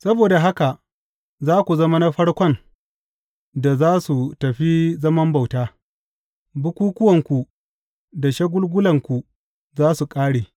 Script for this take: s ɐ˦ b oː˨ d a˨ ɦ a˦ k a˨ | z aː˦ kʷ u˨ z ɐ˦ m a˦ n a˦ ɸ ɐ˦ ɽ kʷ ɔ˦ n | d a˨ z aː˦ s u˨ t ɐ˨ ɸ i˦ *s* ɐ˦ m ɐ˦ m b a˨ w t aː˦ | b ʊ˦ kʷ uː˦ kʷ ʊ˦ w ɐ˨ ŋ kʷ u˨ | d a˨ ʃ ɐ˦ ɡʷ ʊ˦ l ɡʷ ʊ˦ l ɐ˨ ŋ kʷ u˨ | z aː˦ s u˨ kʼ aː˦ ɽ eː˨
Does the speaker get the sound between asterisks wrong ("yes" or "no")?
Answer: yes